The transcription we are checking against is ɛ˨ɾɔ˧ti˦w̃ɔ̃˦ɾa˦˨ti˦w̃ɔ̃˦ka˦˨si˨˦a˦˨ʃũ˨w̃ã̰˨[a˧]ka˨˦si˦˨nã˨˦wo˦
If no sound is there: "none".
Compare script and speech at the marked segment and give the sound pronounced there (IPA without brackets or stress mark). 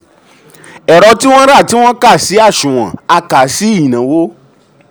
a˧